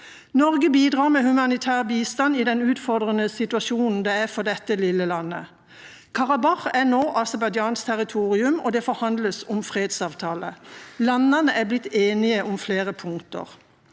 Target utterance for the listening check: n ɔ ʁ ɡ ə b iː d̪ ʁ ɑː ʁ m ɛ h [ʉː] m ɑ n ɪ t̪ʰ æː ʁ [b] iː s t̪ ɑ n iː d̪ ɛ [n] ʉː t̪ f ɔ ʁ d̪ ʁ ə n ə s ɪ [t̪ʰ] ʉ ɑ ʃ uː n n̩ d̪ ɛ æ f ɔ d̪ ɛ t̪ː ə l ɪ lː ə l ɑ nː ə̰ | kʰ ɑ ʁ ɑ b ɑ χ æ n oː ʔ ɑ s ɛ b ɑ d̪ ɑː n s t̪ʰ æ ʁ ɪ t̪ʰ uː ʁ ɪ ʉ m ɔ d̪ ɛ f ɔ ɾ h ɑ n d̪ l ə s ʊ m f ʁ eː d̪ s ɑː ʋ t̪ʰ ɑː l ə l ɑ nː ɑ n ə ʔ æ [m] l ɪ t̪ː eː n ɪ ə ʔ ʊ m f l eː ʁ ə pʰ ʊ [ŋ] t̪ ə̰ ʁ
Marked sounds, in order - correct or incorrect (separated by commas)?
incorrect, correct, correct, incorrect, incorrect, correct